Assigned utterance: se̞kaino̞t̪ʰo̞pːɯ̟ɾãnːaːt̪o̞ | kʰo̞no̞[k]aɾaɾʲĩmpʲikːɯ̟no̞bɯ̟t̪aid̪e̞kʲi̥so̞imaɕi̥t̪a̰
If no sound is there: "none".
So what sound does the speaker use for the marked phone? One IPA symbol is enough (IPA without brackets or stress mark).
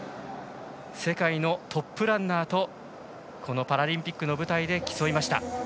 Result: p